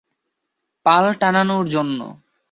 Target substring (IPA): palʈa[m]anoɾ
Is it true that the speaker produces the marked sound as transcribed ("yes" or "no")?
no